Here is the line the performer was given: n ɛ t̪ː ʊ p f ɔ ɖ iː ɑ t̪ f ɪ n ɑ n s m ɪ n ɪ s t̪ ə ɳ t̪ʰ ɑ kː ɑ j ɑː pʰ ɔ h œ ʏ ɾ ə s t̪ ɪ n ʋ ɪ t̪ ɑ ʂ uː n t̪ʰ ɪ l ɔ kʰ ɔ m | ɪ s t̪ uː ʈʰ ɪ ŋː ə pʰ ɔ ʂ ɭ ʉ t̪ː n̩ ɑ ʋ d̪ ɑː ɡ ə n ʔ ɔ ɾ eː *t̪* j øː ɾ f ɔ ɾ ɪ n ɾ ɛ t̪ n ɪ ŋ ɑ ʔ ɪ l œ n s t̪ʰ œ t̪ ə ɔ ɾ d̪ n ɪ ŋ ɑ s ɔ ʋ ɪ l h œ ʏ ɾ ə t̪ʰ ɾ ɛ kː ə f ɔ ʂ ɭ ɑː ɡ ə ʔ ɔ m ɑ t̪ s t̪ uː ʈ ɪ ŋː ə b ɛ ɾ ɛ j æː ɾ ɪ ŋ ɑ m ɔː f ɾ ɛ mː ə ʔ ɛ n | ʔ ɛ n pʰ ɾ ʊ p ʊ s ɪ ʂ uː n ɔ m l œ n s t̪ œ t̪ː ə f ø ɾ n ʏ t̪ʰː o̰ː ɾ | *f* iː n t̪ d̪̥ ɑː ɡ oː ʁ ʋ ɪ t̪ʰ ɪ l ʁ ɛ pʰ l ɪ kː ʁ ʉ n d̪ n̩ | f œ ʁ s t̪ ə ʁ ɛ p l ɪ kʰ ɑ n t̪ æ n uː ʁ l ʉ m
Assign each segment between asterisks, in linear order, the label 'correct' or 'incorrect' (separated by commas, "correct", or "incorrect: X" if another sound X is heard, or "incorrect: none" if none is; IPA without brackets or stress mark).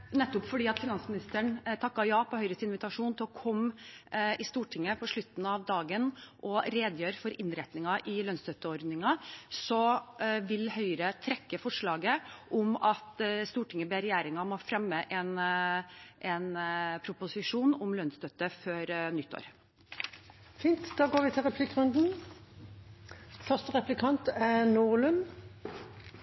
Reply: incorrect: d̪, correct